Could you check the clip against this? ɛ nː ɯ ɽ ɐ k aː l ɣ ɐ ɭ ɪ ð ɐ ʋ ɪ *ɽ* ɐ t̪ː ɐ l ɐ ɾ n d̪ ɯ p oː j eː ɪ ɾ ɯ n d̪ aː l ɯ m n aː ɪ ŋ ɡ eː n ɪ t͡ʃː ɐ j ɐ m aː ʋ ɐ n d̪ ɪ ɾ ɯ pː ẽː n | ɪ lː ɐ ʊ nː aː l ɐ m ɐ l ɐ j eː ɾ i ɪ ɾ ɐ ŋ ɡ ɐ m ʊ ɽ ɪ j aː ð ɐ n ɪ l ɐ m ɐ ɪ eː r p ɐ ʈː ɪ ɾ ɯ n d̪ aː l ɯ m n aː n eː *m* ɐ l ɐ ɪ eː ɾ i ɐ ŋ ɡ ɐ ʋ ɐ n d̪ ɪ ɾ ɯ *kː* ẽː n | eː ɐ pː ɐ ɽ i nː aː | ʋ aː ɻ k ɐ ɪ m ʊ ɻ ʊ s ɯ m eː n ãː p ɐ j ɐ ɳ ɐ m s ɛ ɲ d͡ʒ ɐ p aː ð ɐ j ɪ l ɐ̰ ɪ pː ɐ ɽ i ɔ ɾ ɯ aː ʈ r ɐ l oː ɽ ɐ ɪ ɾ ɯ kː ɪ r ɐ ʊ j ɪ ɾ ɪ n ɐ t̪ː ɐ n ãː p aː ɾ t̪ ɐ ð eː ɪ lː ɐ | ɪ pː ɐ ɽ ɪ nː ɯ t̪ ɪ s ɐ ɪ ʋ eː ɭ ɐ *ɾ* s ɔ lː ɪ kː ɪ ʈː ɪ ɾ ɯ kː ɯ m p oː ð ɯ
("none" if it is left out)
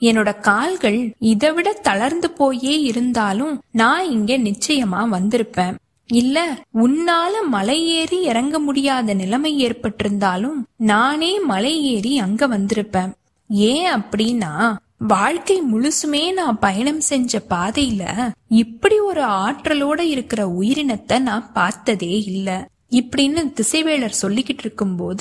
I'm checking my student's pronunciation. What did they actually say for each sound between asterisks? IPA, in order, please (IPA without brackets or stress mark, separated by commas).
ɽ, m, pː, ɾ